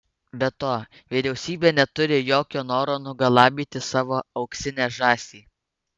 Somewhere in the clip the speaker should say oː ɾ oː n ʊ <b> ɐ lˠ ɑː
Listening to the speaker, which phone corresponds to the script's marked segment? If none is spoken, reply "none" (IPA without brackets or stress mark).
ɡ